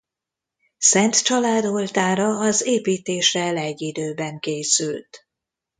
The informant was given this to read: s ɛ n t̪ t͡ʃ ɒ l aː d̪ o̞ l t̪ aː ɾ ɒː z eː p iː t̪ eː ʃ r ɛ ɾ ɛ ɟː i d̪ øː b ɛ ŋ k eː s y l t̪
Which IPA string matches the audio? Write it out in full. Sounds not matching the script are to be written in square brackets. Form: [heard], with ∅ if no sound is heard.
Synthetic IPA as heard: s ɛ n t̪ t͡ʃ ɒ l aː d̪ o̞ l t̪ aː ɾ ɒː z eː p iː t̪ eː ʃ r ɛ [l] ɛ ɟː i d̪ øː b ɛ ŋ k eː s y l t̪